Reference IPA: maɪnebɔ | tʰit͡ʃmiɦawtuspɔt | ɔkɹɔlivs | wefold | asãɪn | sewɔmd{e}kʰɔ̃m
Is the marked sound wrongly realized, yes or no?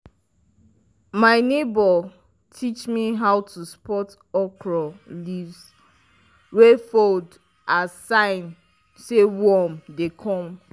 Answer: no